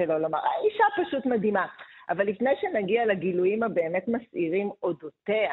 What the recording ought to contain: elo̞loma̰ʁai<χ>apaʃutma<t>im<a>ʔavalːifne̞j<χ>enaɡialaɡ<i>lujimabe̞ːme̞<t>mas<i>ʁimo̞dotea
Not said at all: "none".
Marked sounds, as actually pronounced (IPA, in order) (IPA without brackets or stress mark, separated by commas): ʃ, d, a, ʃ, i, t, i